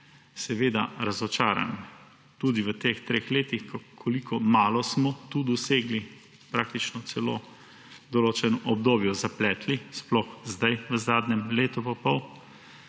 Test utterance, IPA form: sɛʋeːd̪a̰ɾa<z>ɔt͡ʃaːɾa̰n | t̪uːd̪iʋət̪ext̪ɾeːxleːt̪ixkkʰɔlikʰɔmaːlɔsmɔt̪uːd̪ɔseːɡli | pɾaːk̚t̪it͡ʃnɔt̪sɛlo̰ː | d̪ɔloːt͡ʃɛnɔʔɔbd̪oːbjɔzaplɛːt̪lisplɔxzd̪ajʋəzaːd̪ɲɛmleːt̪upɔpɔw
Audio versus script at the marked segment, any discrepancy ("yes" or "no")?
no